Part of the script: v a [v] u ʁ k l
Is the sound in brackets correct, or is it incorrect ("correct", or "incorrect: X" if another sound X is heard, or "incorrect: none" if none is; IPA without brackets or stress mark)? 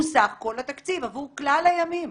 correct